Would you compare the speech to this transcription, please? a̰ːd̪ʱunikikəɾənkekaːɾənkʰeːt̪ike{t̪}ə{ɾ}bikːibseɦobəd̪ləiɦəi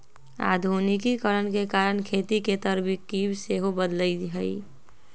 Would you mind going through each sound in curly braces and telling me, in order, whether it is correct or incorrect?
correct, correct

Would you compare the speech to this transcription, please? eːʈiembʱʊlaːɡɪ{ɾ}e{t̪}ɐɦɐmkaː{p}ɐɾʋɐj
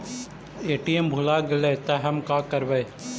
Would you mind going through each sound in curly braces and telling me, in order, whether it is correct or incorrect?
incorrect: l, correct, incorrect: k

